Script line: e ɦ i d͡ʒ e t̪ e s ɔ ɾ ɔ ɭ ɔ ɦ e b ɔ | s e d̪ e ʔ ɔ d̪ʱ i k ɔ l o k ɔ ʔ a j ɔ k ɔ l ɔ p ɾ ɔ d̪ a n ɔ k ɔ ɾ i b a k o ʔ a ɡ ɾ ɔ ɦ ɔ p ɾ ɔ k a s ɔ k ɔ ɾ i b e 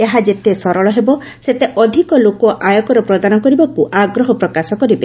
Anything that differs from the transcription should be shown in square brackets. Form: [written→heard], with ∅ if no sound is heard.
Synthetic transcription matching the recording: e ɦ [i→a] d͡ʒ e t̪ e s ɔ ɾ ɔ ɭ ɔ ɦ e b ɔ | s e [d̪→t̪] e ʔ ɔ d̪ʱ i k ɔ l o k ɔ ʔ a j ɔ k ɔ [l→ɾ] ɔ p ɾ ɔ d̪ a n ɔ k ɔ ɾ i b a k [o→u] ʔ a ɡ ɾ ɔ ɦ ɔ p ɾ ɔ k a s ɔ k ɔ ɾ i b e